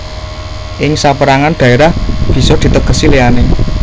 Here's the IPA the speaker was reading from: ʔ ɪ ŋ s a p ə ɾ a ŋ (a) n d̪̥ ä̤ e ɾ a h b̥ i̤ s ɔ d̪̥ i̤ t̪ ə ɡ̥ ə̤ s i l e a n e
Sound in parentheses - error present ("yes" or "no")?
no